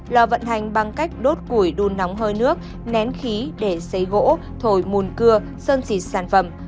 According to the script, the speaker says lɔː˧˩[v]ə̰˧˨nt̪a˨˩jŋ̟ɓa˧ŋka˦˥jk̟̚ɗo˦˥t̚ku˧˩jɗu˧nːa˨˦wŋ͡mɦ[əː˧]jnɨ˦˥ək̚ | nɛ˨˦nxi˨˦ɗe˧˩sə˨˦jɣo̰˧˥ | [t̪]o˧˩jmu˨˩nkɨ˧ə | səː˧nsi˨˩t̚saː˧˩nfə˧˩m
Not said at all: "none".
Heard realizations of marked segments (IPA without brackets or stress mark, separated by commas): v, əː˧, t̪ʰ